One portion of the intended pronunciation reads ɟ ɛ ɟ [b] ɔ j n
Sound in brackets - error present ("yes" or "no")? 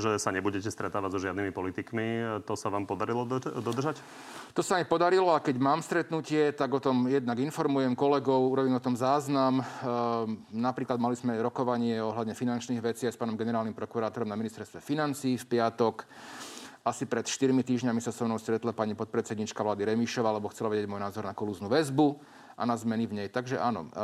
yes